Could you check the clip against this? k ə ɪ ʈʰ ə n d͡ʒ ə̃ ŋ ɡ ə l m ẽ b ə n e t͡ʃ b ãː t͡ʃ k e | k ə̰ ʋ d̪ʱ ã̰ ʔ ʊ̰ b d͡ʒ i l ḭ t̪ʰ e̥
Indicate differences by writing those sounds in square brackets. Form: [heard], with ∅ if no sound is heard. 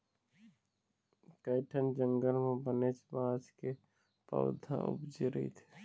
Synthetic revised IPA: k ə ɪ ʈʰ ə n d͡ʒ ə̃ ŋ ɡ ə l m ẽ b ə n e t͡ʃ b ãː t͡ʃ k e | [p] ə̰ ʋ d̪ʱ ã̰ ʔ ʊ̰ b d͡ʒ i [ɾ] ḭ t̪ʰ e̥